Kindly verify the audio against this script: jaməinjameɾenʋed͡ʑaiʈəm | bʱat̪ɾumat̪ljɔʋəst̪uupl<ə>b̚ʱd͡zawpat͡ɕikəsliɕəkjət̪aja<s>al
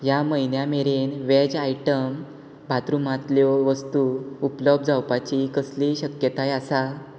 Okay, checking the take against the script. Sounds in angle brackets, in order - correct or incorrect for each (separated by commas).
correct, correct